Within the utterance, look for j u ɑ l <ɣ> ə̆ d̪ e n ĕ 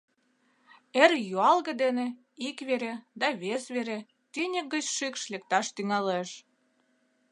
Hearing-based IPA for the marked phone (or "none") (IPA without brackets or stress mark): ɣ